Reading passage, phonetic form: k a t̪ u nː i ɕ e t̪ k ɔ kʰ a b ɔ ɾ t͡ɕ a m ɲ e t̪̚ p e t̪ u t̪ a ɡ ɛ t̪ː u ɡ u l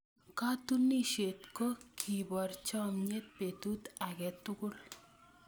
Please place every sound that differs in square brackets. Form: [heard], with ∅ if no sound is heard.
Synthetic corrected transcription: k a t̪ u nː i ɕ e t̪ k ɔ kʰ [i] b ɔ ɾ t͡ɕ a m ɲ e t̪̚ p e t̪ u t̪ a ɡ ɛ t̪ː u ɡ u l